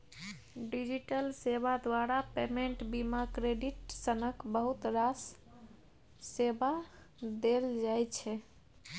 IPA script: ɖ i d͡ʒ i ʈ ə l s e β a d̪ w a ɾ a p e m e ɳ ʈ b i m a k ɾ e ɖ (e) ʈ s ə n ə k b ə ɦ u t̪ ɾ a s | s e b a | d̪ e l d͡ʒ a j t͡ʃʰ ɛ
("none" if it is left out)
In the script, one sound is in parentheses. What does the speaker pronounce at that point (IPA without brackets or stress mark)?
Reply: i